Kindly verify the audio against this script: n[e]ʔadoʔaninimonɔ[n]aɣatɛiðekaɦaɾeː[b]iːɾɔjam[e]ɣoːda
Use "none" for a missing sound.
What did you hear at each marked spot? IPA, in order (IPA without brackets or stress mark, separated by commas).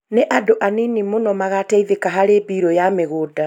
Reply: e, m, b, e